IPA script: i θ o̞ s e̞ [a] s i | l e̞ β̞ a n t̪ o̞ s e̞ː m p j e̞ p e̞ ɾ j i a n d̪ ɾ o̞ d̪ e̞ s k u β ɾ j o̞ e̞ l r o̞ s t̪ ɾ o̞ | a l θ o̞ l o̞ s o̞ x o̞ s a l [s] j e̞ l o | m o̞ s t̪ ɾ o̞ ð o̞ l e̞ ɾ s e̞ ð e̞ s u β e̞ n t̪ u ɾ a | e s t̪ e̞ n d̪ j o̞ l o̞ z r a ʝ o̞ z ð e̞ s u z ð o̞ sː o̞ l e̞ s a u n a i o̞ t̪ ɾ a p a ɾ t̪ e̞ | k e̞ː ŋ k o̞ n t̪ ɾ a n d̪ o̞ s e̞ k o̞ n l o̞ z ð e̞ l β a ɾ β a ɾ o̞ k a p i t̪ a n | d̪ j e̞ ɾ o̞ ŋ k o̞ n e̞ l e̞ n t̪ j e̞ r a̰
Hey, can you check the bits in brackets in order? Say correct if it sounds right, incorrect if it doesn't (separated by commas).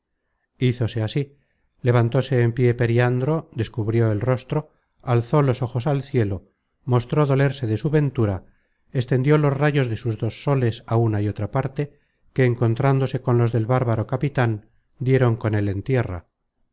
correct, incorrect